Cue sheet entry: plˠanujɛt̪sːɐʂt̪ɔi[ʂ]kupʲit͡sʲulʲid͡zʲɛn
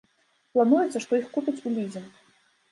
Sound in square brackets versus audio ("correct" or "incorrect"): incorrect